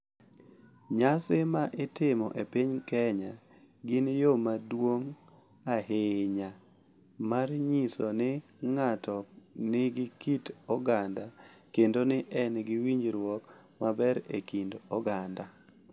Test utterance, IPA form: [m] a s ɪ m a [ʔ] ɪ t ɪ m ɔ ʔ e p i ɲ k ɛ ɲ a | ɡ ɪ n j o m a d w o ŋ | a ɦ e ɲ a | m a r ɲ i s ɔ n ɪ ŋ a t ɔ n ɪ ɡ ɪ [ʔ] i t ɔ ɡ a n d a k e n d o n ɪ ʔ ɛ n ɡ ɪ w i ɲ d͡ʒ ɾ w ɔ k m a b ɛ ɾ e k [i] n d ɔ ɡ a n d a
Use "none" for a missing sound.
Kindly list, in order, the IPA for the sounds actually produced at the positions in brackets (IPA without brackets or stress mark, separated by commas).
ɲ, ʔ, k, i